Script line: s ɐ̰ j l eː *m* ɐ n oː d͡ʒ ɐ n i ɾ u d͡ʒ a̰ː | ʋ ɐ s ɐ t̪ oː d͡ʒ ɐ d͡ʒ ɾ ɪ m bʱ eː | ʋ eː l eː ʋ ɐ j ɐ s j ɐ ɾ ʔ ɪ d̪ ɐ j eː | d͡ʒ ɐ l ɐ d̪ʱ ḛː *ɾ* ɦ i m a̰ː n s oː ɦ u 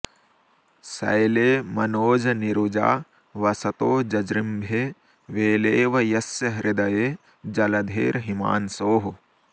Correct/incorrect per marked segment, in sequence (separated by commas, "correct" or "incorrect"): correct, correct